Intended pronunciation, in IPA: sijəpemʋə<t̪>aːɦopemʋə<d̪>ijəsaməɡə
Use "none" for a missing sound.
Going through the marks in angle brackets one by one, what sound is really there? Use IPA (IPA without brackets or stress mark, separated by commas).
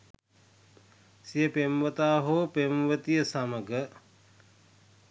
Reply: t̪, t̪